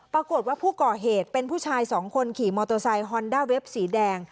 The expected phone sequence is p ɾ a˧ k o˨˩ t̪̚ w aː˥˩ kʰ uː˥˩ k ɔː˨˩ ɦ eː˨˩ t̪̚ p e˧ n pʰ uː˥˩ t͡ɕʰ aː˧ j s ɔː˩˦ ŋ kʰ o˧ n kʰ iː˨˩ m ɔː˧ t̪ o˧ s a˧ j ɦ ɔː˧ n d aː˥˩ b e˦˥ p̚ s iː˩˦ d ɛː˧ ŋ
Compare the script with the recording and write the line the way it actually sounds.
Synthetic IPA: p ɾ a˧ k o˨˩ t̪̚ w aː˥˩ pʰ uː˥˩ k ɔː˨˩ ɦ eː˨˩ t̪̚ p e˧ n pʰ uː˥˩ t͡ɕʰ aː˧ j s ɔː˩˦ ŋ kʰ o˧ n kʰ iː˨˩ m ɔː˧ t̪ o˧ s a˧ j ɦ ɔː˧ n d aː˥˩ w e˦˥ p̚ s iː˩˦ d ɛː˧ ŋ

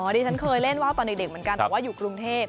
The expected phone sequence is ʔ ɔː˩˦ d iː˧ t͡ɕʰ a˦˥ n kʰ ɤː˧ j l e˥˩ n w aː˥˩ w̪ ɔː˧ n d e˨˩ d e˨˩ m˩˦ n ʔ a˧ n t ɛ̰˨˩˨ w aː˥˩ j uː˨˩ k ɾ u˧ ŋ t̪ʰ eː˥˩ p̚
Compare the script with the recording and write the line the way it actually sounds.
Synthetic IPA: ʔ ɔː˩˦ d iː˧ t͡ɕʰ a˦˥ n kʰ ɤː˧ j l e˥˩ n w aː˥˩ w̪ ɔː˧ n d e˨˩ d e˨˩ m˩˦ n k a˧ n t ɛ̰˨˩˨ w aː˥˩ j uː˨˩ k ɾ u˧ ŋ t̪ʰ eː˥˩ p̚

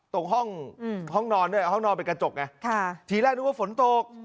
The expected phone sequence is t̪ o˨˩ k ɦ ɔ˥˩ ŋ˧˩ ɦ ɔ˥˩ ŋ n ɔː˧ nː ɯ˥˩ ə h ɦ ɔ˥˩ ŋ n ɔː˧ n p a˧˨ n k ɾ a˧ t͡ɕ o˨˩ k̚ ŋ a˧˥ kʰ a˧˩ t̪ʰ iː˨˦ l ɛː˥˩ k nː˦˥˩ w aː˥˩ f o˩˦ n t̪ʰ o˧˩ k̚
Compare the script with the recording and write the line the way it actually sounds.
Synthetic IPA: t̪ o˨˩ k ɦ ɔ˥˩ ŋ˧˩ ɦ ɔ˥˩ ŋ n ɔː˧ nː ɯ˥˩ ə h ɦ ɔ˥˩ ŋ n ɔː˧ n p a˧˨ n k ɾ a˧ t͡ɕ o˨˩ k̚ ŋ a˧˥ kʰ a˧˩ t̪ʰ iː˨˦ l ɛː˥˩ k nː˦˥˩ w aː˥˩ f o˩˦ n t̪ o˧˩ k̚

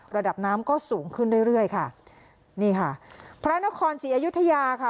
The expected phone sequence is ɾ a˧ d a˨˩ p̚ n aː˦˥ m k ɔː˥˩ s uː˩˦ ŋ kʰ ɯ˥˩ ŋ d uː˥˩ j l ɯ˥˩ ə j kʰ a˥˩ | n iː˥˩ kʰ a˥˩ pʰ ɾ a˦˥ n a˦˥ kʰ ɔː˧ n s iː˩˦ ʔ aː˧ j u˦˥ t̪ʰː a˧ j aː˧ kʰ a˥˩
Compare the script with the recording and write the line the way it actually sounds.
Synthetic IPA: ɾ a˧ d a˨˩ p̚ n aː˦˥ m k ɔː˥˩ s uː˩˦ ŋ kʰ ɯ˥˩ n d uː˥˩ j ɾ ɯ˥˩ ə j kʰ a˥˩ | n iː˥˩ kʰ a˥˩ pʰ ɾ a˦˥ n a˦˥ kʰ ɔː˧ n s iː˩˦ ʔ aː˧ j u˦˥ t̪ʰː a˧ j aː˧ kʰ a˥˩

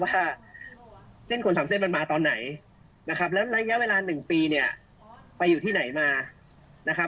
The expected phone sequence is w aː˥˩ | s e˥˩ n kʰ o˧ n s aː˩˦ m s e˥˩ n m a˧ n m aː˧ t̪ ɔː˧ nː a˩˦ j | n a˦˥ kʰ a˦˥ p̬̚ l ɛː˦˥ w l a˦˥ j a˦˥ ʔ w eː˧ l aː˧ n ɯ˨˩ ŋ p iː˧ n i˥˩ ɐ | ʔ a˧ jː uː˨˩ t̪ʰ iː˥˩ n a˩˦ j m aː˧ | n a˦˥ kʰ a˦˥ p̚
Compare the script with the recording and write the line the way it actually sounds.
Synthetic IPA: w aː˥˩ | s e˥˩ n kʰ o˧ n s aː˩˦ m s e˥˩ n m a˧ n m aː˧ t̪ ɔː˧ nː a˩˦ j | n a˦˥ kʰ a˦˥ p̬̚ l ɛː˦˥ w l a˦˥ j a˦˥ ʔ w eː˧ l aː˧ n ɯ˨˩ ŋ p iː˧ n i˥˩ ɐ | p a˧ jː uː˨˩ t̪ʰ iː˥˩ n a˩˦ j m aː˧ | n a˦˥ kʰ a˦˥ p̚

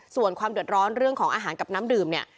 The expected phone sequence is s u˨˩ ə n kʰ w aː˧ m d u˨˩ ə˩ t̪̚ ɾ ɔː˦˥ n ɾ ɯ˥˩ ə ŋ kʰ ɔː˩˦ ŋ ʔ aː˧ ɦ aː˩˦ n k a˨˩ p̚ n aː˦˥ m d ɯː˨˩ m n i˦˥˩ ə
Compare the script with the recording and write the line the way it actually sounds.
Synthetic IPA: s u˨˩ ə n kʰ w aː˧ m d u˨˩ ə˩ t̪̚ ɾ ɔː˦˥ n ɾ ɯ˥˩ ə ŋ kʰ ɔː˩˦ ŋ ʔ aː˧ ɦ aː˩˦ n k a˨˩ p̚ n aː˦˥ m d ɯː˨˩ m n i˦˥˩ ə

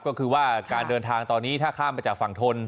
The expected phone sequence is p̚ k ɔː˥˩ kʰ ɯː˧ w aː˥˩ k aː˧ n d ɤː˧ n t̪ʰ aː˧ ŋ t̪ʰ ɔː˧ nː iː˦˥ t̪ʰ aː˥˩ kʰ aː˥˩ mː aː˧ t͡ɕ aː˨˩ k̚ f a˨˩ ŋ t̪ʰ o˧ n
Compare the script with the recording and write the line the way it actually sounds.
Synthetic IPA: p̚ k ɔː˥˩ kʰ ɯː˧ w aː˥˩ k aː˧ n d ɤː˧ n t̪ʰ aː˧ ŋ t̪ ɔː˧ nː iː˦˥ t̪ʰ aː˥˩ kʰ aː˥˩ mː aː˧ t͡ɕ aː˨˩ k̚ f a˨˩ ŋ t̪ʰ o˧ n

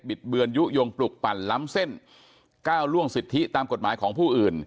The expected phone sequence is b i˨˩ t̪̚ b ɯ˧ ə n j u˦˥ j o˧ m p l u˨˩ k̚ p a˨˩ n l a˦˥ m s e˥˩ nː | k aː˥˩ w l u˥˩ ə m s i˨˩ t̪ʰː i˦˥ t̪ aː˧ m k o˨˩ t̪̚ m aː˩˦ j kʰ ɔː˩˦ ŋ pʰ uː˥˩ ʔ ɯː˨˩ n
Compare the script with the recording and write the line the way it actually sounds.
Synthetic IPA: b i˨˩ t̪̚ b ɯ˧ ə n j u˦˥ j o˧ ŋ p l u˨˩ k̚ p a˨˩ n l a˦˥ m s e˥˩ n | k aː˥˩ w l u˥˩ ə ŋ s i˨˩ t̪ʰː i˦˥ t̪ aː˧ m k o˨˩ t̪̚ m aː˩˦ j kʰ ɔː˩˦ ŋ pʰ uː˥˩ ʔ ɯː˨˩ n

